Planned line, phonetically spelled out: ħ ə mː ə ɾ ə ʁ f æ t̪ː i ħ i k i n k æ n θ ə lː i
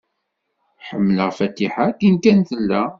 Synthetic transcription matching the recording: ħ ə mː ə l ə ʁ f æ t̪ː i ħ a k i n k æ n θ ə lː æ

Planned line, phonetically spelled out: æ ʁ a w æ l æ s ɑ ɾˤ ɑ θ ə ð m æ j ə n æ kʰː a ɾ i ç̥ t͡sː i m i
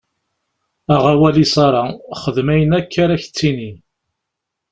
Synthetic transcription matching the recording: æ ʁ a w æ l i s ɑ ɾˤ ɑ χ ə ð m æ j ə n æ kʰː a ɾ æ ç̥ t͡sː i n i

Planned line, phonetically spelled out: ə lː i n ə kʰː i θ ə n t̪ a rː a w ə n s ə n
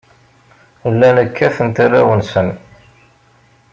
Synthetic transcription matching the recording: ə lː æ n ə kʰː æ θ ə n t̪ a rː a w ə n s ə n

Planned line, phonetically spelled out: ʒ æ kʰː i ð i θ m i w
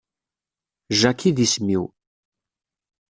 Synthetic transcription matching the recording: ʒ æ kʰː i ð i s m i w

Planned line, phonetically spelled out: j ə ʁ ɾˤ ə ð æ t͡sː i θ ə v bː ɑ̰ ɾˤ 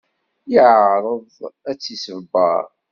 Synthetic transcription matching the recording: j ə ʕ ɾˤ ə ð æ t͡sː i s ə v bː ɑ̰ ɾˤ

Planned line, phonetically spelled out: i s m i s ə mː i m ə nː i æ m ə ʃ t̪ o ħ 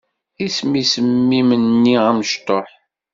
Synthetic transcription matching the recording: i s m i s ə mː i m ə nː i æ m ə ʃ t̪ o ħ

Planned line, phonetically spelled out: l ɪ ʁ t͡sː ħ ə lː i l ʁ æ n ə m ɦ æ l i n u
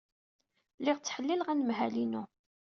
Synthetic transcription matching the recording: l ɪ ʁ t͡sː ħ ə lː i l ʁ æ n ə m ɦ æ l i n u

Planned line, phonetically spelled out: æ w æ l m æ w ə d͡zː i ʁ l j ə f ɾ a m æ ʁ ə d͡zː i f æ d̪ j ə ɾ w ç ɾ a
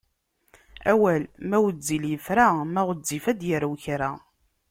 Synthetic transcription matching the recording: æ w æ l m æ w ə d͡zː i l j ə f ɾ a m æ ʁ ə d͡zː i f æ d̪ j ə ɾ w ç ɾ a

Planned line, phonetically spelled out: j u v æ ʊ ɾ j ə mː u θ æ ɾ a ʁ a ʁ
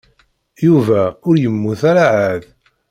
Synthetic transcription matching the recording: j u v æ ʊ ɾ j ə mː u θ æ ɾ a ʕ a ð

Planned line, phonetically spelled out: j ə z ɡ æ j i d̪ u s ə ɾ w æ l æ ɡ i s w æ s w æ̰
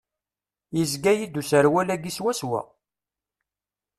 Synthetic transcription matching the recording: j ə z ɡ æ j i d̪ u s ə ɾ w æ l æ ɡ i s w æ s w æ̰

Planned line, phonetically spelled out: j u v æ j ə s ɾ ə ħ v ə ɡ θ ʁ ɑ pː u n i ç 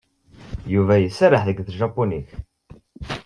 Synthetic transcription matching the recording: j u v æ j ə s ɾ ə ħ ð ə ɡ θ ʒ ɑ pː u n i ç

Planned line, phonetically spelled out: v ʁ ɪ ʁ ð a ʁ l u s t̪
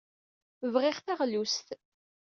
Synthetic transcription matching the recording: v ʁ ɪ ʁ θ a ʁ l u s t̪

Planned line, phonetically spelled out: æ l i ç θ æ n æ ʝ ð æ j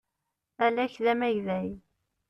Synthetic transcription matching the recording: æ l æ ç ð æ m æ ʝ ð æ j

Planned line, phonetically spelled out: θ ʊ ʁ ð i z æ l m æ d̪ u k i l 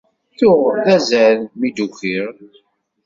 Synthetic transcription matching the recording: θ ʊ ʁ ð æ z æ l m i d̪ u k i ɾ

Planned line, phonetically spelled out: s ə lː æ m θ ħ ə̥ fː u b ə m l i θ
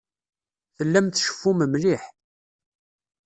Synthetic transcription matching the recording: θ ə lː æ m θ ʃ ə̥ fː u m ə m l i ħ

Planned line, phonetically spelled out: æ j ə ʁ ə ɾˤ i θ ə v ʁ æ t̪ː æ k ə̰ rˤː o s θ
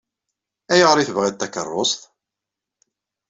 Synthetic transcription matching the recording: æ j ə ʁ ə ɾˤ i θ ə v ʁ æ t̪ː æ k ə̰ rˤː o s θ

